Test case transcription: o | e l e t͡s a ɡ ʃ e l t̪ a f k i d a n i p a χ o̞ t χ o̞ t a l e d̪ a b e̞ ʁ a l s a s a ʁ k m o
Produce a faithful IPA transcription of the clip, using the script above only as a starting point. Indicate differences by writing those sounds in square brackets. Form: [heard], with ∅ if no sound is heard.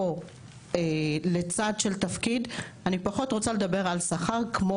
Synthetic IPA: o | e l e t͡s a [d] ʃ e l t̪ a f k i d a n i p a χ o̞ t [ʁ] o̞ [t͡s] a l e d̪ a b e̞ ʁ a l s a [χ] a ʁ k m o